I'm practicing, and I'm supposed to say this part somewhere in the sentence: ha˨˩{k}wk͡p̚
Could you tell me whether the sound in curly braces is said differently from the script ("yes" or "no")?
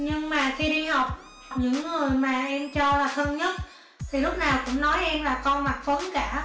yes